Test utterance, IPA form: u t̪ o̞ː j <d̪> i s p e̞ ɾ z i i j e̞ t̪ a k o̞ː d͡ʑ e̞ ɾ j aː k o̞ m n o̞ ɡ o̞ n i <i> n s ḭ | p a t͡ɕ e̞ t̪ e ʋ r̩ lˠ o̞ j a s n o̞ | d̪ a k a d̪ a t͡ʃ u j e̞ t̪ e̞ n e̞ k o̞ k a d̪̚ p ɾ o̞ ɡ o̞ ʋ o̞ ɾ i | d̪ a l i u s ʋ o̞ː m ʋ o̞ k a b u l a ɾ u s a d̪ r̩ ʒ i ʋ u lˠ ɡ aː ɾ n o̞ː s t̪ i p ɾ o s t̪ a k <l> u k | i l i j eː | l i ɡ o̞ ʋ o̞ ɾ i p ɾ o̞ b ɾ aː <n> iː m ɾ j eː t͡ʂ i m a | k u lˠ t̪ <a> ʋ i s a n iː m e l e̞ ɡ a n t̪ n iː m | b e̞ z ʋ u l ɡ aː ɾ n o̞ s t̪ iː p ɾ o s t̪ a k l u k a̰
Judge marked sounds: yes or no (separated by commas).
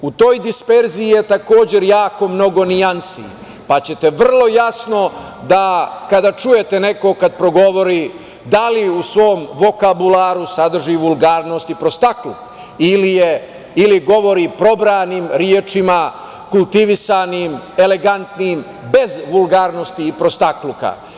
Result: yes, no, yes, yes, no